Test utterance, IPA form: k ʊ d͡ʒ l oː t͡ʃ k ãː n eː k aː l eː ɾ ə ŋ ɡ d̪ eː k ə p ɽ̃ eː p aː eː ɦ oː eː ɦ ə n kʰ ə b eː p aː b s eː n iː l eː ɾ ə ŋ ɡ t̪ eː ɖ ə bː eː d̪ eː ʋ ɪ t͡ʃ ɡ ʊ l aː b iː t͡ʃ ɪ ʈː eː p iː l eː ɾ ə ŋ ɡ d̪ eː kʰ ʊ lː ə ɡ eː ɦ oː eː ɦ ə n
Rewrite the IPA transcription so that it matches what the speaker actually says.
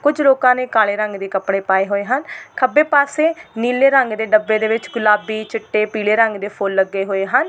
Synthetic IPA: k ʊ d͡ʒ l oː k ãː n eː k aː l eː ɾ ə ŋ ɡ d̪ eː k ə p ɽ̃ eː p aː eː ɦ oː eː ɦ ə n kʰ ə b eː p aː s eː n iː l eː ɾ ə ŋ ɡ d̪ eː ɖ ə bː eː d̪ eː ʋ ɪ t͡ʃ ɡ ʊ l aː b iː t͡ʃ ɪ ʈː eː p iː l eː ɾ ə ŋ ɡ d̪ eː pʰ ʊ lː ə ɡ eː ɦ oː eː ɦ ə n